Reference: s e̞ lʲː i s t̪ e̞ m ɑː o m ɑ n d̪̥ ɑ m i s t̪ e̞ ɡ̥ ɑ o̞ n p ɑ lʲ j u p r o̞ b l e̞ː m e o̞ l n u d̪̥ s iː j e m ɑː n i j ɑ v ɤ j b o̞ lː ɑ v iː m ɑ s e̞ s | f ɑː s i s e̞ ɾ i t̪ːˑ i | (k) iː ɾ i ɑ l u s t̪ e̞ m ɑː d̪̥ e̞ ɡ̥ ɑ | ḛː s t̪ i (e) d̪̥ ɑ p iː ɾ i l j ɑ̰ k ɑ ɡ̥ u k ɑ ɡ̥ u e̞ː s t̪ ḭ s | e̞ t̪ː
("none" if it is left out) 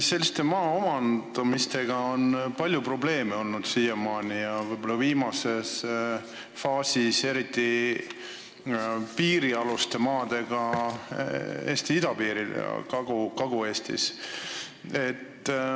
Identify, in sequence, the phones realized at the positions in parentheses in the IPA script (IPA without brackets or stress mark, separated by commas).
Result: p, i